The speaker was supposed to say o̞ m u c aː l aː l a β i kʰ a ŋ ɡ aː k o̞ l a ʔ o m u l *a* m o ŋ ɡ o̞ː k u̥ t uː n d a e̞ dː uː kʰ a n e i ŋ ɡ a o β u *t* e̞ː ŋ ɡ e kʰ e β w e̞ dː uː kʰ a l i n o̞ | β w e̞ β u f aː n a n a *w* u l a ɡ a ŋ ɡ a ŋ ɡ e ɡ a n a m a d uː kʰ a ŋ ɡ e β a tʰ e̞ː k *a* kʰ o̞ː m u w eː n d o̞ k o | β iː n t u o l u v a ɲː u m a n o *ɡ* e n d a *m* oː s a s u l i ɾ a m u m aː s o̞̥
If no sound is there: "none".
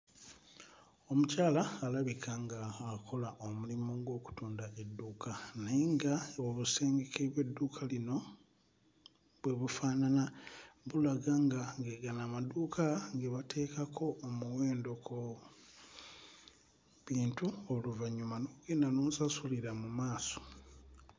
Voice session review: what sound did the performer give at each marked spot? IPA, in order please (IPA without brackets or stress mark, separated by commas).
i, s, β, a, ɡ, n